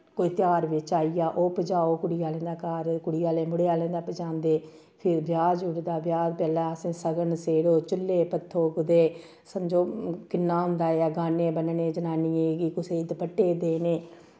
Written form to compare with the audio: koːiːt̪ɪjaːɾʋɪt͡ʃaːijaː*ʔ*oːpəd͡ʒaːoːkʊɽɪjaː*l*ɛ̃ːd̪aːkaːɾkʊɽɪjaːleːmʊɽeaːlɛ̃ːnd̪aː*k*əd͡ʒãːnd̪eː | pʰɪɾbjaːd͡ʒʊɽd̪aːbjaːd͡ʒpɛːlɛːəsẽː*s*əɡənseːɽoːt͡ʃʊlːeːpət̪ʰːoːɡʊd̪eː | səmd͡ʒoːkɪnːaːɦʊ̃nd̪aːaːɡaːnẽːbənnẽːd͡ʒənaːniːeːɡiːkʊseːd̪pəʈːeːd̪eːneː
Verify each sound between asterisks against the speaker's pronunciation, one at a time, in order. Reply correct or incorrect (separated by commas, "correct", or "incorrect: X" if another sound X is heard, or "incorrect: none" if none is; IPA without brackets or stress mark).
correct, correct, incorrect: p, correct